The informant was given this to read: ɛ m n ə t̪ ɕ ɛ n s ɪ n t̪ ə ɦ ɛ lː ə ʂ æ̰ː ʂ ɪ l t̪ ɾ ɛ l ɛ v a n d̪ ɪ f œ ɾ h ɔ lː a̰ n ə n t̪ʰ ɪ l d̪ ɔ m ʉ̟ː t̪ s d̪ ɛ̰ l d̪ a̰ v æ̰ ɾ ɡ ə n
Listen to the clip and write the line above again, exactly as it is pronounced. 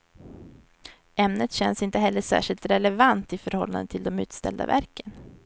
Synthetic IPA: ɛ m n ə t̪ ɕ ɛ n s ɪ n t̪ ə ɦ ɛ lː ə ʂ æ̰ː ʂ ɪ l t̪ ɾ ɛ l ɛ v a n t̪ ɪ f œ ɾ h ɔ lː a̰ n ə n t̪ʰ ɪ l d̪ ɔ m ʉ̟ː t̪ s t̪ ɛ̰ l d̪ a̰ v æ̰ ɾ k ə n